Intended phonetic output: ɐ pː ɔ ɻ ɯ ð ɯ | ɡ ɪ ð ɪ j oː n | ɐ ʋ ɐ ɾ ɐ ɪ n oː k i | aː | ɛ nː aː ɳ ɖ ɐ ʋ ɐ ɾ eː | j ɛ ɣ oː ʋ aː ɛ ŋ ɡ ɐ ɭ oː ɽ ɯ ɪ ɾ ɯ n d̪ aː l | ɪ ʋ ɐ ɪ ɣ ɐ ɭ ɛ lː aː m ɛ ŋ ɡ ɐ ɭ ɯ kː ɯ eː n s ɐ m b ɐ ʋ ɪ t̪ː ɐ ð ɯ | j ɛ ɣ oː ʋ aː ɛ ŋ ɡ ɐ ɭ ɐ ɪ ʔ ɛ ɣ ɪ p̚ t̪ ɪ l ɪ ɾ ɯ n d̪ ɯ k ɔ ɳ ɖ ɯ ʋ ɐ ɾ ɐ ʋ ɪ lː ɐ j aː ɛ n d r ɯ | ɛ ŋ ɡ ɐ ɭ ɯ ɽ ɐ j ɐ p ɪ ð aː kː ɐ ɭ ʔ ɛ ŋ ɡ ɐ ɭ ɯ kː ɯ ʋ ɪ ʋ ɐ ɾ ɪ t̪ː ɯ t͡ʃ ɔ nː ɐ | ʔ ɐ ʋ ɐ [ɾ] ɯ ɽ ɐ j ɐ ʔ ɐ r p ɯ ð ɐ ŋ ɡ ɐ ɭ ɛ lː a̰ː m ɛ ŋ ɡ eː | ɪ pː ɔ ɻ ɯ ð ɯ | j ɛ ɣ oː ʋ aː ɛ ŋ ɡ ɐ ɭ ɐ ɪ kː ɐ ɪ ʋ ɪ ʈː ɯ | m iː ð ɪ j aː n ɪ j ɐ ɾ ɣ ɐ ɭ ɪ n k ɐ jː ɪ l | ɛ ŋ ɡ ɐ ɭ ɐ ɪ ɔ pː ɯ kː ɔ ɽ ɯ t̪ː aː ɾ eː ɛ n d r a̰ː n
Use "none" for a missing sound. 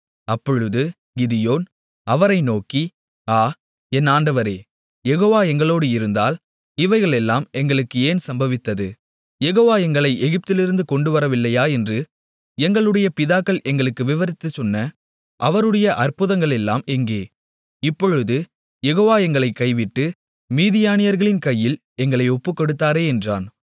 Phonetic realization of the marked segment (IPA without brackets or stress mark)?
ɾ